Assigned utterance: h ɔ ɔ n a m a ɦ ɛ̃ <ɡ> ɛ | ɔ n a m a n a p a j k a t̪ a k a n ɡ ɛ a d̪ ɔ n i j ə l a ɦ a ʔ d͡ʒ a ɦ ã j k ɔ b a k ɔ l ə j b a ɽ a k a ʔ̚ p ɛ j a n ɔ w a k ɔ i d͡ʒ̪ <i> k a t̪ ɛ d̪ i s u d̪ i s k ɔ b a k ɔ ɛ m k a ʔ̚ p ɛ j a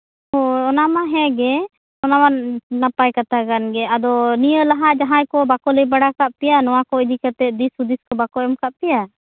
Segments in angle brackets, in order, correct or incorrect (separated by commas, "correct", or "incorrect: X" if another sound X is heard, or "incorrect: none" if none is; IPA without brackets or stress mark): correct, correct